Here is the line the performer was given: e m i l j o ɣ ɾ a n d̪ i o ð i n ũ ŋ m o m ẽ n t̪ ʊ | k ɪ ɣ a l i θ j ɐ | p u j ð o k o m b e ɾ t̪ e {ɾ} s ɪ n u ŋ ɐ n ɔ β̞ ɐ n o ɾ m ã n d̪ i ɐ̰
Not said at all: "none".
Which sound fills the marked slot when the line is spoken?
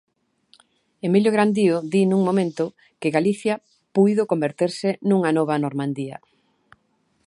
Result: ɾ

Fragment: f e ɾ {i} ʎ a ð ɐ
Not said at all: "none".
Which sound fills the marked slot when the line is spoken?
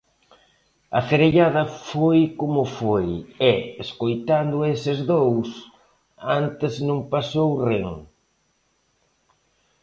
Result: e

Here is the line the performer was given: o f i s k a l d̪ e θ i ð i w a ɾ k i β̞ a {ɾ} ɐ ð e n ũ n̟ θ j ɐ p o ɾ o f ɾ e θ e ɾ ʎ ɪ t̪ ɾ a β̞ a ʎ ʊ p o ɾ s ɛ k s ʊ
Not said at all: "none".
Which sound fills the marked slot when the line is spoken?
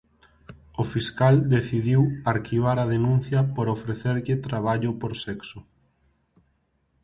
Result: ɾ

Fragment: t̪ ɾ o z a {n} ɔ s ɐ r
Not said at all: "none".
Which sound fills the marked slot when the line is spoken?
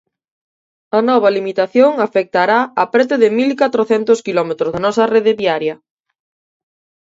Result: n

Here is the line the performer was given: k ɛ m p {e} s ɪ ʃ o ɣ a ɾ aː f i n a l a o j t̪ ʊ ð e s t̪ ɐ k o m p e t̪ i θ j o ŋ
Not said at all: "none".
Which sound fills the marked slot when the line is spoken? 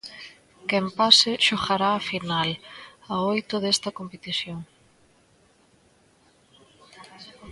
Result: a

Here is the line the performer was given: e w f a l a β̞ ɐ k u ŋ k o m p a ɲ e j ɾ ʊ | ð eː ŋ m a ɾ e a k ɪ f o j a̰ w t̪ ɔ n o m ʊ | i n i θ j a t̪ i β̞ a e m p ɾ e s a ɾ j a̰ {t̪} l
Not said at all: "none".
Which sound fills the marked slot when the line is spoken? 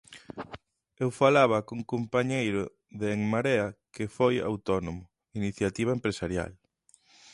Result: none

